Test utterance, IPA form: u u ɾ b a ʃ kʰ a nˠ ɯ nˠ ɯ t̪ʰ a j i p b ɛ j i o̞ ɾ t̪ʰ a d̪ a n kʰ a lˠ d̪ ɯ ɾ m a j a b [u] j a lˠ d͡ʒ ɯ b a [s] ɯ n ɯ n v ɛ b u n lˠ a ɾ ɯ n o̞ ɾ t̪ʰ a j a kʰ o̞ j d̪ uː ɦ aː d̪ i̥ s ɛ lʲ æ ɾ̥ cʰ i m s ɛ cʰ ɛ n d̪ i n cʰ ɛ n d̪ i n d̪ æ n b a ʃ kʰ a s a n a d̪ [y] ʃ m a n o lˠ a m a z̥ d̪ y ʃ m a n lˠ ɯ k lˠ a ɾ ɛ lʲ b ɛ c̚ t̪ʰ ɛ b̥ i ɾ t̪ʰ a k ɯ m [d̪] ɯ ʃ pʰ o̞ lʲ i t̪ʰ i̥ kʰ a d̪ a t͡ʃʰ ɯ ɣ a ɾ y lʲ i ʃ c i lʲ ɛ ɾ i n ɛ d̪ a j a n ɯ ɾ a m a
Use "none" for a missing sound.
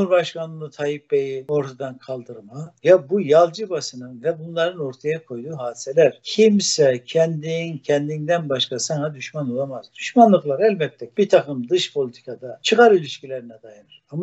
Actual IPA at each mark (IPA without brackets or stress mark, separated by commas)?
u, s, y, d̪